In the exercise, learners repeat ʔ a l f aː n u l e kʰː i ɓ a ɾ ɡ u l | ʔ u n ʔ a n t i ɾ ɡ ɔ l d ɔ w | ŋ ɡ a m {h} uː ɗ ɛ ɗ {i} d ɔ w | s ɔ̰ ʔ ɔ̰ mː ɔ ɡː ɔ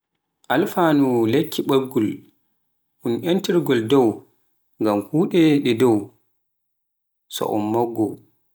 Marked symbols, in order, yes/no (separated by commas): yes, no